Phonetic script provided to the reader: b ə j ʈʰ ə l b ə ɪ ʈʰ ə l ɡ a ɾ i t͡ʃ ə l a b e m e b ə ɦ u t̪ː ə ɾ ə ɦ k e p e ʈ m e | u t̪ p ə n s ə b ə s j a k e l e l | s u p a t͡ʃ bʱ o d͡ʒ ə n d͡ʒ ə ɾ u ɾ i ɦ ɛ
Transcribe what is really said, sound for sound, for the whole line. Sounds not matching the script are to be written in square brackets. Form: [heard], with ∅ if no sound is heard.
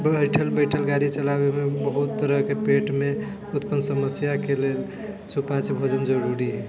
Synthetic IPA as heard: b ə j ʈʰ ə l b ə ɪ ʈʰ ə l ɡ a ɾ i t͡ʃ ə l a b e m e b ə ɦ u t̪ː ə ɾ ə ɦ k e p e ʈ m e | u t̪ p ə n s ə [m] ə s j a k e l e l | s u p a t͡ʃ bʱ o d͡ʒ ə n d͡ʒ ə ɾ u ɾ i ɦ ɛ